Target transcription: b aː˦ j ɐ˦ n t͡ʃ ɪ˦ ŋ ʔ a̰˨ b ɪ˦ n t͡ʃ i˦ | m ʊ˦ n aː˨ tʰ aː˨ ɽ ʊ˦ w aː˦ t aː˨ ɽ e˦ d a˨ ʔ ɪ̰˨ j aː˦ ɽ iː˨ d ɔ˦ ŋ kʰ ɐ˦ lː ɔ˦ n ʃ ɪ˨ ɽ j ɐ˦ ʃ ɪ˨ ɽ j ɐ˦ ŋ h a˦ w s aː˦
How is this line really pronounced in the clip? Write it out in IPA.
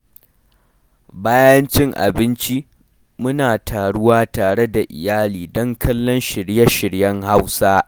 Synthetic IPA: b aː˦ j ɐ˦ n t͡ʃ ɪ˦ ŋ ʔ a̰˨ b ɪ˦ n t͡ʃ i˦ | m ʊ˦ n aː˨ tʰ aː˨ ɽ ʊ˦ w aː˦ t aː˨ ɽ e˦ d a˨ ʔ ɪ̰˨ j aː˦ l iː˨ d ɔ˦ ŋ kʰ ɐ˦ lː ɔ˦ n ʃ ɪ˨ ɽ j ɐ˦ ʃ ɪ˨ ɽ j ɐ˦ ŋ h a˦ w s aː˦